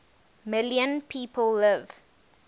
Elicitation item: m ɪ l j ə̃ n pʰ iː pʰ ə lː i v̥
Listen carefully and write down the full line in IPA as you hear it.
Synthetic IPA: m ɪ l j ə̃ n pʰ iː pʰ ə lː ɪ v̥